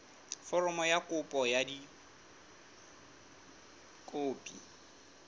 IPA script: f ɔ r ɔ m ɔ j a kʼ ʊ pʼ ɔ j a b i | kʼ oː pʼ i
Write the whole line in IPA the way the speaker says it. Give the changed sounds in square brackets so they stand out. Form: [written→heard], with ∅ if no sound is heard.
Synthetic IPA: f ɔ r ɔ m ɔ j a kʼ ʊ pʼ ɔ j a [b→d] i | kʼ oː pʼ i